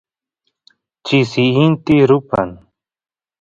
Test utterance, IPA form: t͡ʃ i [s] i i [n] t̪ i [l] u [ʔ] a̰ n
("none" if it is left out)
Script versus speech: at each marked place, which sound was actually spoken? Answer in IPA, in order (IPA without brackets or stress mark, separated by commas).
s, n, ɾ, p